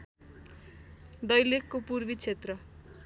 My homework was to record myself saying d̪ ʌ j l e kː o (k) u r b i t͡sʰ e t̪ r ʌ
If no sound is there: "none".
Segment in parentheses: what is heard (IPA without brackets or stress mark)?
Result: p